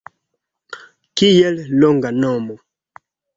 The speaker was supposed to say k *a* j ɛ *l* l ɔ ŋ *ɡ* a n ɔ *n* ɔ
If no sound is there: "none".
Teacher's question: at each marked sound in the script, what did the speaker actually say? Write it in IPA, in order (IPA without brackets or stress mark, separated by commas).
i, l, ɡ, m